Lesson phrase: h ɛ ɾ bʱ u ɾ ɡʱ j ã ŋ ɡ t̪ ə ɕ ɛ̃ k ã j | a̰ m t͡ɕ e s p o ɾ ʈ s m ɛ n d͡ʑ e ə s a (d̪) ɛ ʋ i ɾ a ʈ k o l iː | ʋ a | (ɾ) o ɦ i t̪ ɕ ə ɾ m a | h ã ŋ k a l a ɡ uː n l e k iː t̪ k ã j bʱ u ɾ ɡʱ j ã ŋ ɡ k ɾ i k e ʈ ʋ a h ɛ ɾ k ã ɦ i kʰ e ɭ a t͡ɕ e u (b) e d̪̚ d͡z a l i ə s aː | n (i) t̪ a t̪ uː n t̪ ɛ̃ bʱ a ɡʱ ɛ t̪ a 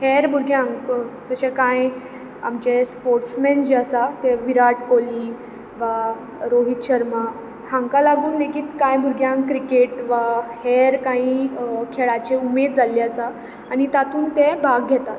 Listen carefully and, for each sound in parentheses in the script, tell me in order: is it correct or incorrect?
incorrect: t̪, correct, incorrect: m, correct

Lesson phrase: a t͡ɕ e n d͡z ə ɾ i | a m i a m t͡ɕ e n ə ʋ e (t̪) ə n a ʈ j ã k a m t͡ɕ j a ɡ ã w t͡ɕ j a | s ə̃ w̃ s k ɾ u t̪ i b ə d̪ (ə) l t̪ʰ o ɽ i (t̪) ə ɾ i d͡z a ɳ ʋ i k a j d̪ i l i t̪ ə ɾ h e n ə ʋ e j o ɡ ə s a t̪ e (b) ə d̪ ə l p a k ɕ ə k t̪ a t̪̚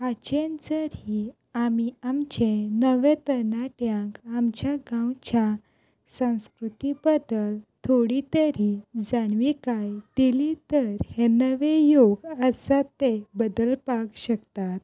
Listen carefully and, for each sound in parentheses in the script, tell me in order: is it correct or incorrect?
correct, correct, correct, correct

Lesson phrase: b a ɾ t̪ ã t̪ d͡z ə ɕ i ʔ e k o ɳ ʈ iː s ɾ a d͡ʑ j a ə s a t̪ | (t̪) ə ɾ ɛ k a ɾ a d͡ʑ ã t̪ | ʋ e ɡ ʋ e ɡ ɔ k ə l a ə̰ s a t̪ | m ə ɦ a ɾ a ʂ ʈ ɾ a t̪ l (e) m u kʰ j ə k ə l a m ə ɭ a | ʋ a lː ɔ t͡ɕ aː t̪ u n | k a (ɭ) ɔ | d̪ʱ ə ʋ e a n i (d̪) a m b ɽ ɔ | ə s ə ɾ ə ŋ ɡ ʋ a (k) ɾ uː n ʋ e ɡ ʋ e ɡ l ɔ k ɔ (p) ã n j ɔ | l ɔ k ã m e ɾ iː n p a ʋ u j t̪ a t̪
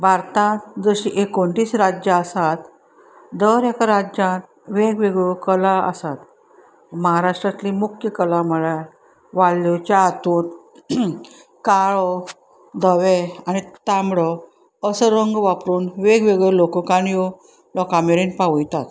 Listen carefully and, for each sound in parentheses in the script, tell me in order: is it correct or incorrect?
incorrect: d̪, incorrect: i, correct, incorrect: t̪, incorrect: p, incorrect: k

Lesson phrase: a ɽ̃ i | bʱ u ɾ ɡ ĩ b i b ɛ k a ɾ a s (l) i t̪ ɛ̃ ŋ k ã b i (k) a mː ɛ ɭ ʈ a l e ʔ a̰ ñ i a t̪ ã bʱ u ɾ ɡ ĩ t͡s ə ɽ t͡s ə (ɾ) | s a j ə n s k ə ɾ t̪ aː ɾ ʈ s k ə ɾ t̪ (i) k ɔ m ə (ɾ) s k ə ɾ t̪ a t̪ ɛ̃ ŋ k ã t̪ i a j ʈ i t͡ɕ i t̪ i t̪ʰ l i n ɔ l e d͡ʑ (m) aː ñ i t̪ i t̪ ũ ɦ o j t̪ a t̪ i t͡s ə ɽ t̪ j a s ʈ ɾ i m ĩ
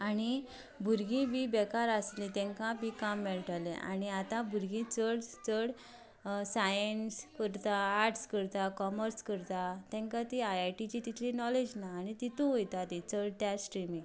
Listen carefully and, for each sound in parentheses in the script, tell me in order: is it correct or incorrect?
correct, correct, incorrect: ɽ, incorrect: a, correct, incorrect: n

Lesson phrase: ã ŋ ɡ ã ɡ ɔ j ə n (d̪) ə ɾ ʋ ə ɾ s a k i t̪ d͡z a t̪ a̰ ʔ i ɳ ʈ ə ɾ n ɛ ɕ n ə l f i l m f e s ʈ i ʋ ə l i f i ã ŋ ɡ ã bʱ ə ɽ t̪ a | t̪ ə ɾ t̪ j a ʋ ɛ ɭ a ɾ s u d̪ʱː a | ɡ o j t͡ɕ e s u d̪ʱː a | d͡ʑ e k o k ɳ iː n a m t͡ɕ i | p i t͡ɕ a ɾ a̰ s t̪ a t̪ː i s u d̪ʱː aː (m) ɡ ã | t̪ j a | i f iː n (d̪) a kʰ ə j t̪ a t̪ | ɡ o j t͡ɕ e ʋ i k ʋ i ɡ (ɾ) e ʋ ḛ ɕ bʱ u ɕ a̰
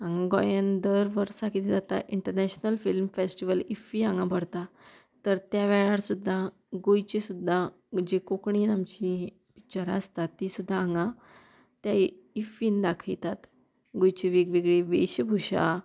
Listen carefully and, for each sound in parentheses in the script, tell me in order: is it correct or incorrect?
correct, incorrect: ŋ, correct, incorrect: ɭ

